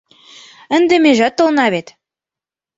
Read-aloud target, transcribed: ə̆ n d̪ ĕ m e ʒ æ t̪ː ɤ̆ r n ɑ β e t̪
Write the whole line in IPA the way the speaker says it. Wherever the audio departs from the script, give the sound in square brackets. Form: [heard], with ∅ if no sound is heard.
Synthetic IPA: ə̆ n d̪ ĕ m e ʒ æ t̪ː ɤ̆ [l] n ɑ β e t̪